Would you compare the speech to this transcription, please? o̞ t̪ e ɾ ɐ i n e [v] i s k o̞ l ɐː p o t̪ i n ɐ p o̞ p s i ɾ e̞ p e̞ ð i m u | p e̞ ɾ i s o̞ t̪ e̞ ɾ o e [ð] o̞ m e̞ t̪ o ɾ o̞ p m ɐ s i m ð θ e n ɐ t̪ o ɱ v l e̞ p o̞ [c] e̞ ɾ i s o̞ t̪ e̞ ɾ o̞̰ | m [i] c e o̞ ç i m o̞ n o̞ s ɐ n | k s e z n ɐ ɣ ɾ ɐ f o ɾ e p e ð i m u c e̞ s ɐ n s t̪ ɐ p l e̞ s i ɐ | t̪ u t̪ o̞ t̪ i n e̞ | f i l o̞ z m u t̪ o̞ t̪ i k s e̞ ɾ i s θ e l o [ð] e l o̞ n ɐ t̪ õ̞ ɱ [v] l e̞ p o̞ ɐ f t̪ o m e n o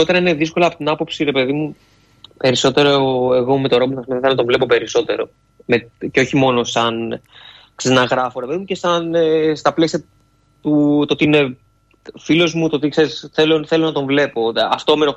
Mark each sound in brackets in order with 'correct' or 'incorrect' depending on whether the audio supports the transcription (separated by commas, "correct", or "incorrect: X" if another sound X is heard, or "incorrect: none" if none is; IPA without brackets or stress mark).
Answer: incorrect: ð, incorrect: ɣ, incorrect: p, incorrect: e, incorrect: θ, correct